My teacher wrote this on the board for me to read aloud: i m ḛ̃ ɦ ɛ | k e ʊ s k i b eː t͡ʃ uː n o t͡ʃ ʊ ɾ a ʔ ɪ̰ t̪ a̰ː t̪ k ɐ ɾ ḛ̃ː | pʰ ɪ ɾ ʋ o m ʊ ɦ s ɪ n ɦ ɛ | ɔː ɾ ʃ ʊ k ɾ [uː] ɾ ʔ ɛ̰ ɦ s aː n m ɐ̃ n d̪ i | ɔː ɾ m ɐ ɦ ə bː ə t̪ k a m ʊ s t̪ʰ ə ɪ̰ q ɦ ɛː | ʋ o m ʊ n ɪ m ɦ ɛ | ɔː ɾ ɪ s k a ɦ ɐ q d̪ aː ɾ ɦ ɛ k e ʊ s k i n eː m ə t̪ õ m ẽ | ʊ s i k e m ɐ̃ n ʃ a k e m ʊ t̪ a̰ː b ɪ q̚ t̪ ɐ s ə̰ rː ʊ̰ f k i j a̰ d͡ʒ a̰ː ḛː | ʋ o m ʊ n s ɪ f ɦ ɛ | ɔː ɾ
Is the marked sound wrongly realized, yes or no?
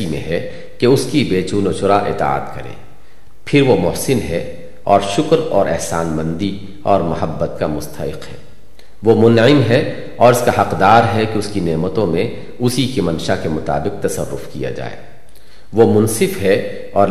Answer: yes